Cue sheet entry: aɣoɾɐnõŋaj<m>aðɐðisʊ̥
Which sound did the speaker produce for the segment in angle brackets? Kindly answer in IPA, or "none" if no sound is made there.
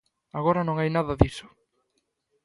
n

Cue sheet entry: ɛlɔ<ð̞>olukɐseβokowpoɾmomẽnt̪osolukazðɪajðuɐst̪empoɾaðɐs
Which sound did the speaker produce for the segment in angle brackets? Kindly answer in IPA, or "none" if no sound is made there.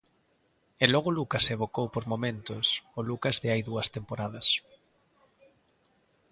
ɣ̞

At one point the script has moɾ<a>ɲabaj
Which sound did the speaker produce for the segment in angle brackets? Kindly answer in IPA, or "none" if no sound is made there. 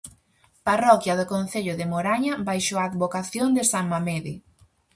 a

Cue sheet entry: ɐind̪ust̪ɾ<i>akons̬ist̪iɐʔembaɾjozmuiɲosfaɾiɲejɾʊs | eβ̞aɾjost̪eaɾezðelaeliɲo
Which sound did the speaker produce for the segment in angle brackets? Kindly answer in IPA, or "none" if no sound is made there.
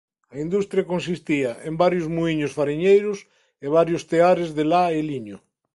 j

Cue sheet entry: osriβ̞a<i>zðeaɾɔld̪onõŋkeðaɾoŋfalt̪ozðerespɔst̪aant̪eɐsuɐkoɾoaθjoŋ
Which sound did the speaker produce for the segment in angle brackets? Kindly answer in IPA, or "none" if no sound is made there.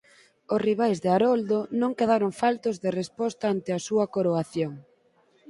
j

